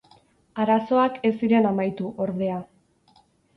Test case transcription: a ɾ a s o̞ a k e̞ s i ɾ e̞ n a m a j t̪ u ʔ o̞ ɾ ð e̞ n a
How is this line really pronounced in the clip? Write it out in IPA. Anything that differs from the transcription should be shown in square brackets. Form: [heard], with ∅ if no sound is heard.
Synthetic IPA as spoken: a ɾ a s o̞ a k e̞ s i ɾ e̞ n a m a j t̪ u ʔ o̞ ɾ ð e̞ [∅] a